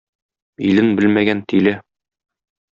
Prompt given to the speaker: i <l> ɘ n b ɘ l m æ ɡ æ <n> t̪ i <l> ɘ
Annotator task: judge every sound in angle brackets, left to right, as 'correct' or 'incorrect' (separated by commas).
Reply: correct, correct, correct